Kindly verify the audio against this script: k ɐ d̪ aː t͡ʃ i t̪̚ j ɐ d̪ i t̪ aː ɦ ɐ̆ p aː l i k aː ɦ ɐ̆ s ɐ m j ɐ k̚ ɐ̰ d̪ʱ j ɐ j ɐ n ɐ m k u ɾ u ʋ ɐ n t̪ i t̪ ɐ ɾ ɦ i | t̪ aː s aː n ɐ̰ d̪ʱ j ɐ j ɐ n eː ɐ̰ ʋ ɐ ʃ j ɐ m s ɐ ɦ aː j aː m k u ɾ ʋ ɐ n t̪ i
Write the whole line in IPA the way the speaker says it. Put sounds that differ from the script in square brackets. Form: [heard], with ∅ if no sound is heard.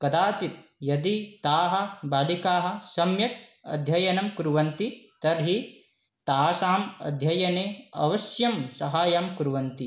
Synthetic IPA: k ɐ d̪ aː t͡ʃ i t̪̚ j ɐ d̪ i t̪ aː ɦ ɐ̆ [b] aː l i k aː ɦ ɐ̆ s ɐ m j ɐ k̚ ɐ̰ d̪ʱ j ɐ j ɐ n ɐ m k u ɾ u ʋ ɐ n t̪ i t̪ ɐ ɾ ɦ i | t̪ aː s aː [m] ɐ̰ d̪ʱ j ɐ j ɐ n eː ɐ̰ ʋ ɐ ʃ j ɐ m s ɐ ɦ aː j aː m k u ɾ ʋ ɐ n t̪ i